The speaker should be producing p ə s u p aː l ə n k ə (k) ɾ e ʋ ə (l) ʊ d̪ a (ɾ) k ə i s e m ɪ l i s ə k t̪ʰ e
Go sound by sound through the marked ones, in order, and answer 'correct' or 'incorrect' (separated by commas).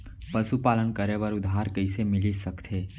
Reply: incorrect, incorrect, correct